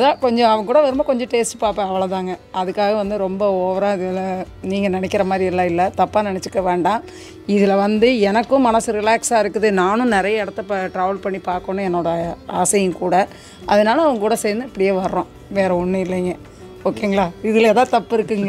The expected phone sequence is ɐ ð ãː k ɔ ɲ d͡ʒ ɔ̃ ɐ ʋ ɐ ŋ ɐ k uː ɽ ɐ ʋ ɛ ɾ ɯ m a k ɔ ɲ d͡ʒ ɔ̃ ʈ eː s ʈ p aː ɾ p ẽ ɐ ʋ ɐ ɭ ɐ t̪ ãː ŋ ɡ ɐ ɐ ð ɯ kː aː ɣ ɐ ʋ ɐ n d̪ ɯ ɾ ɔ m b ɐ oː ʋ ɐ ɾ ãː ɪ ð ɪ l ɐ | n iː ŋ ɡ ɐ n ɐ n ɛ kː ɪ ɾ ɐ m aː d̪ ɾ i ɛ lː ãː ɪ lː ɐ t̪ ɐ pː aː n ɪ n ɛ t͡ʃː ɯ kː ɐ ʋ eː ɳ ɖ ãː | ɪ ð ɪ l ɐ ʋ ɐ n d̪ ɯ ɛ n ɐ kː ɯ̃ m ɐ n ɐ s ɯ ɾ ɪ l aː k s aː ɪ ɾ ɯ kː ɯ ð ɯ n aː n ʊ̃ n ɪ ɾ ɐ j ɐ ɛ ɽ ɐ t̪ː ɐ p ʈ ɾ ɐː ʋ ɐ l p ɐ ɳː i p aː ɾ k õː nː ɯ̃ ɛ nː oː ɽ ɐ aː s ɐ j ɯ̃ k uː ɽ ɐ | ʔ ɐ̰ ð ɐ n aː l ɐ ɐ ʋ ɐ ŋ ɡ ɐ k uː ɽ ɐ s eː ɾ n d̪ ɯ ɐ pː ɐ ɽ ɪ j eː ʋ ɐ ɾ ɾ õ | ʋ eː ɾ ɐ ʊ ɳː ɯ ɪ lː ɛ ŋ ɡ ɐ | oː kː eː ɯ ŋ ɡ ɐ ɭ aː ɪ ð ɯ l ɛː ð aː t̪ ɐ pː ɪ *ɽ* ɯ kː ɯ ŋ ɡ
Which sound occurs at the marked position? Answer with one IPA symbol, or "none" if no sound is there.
ɾ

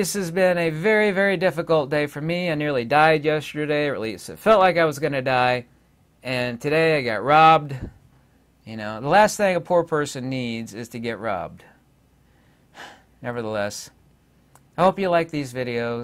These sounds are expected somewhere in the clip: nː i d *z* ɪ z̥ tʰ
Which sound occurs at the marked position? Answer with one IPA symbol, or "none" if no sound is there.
z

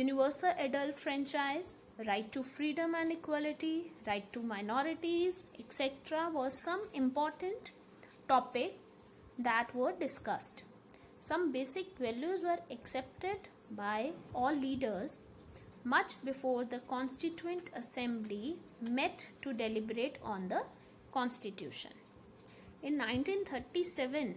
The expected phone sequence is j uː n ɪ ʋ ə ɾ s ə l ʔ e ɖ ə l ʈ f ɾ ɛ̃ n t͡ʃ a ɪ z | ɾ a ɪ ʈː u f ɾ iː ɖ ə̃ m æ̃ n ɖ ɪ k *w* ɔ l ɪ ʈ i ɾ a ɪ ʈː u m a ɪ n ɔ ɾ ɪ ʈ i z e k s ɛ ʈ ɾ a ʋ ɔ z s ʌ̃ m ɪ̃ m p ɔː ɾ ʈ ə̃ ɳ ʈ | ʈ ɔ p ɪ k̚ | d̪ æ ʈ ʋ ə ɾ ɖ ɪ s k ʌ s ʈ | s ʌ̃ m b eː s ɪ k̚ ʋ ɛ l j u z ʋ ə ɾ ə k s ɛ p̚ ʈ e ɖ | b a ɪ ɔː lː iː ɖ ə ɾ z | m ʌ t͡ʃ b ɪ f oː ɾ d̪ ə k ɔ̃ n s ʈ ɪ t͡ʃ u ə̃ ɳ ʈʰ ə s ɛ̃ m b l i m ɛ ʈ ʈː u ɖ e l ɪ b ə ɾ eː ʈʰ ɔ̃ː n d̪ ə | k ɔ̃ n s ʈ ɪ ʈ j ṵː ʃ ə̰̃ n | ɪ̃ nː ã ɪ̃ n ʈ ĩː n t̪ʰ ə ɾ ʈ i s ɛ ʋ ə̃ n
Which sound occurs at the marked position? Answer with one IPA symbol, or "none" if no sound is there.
w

